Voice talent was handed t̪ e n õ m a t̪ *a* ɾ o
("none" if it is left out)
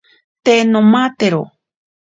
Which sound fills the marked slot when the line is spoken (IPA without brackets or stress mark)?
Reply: e